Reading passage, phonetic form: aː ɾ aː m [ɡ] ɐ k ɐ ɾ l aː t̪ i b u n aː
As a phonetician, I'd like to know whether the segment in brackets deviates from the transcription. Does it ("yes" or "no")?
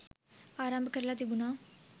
yes